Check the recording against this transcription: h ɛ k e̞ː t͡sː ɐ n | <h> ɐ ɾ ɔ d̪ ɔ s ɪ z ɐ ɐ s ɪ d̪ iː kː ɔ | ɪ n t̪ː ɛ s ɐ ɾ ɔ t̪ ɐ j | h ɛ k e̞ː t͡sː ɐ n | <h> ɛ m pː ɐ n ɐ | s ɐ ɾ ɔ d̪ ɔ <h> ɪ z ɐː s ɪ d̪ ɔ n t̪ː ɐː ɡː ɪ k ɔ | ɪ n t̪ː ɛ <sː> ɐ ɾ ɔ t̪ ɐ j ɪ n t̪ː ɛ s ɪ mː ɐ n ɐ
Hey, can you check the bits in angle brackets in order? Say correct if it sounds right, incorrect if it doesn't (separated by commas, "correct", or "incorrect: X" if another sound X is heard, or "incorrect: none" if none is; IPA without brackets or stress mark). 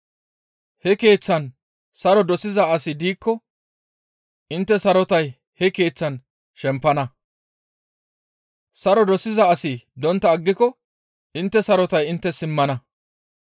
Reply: incorrect: s, incorrect: ʃ, incorrect: s, incorrect: s